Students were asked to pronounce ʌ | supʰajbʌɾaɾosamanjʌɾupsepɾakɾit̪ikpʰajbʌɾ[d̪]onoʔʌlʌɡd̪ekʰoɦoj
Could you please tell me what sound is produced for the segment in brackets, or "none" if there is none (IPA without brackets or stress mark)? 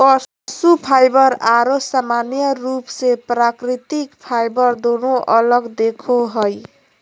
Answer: d̪